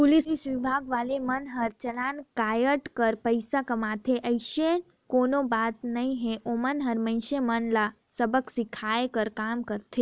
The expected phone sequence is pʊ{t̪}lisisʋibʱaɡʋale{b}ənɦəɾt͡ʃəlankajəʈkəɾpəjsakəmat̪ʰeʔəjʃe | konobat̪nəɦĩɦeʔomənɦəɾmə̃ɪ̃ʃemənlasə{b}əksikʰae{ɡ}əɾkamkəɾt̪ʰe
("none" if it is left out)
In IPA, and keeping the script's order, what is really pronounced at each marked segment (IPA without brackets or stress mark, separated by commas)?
none, m, b, k